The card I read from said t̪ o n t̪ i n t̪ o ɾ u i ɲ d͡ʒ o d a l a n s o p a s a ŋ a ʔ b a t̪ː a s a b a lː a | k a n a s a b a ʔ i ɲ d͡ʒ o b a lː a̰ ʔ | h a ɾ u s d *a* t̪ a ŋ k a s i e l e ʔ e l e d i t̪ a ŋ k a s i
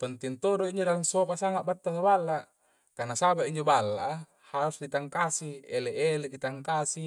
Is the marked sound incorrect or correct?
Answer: incorrect